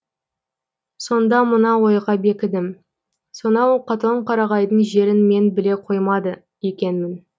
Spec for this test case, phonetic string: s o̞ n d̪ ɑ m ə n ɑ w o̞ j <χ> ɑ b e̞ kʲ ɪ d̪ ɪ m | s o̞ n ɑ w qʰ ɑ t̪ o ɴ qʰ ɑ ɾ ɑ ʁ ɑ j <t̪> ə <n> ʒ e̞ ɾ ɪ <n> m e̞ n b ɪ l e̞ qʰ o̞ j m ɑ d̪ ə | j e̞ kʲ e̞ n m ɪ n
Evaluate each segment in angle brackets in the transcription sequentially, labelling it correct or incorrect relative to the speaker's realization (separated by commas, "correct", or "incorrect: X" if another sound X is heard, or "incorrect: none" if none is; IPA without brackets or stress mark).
incorrect: ʁ, incorrect: d̪, incorrect: ɴ, correct